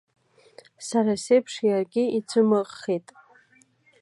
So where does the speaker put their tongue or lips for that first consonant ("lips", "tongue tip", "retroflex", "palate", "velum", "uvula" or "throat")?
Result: tongue tip